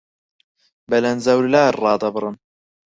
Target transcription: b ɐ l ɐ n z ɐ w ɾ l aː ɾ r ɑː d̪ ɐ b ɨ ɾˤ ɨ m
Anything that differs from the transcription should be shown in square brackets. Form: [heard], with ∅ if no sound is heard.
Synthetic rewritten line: b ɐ l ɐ n z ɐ w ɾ l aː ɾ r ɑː d̪ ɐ b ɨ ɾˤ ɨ [n]